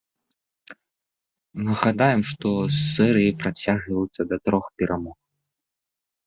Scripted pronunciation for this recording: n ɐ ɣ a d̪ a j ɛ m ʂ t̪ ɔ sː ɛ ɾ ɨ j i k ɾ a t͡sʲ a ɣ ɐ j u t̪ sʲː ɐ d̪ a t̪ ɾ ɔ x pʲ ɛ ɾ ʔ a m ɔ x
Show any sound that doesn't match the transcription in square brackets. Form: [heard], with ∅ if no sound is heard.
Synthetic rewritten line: n ɐ ɣ a d̪ a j ɛ m ʂ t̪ ɔ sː ɛ ɾ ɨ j i [p] ɾ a t͡sʲ a ɣ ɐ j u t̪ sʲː ɐ d̪ [ɐ] t̪ ɾ ɔ x pʲ ɛ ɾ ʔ a m ɔ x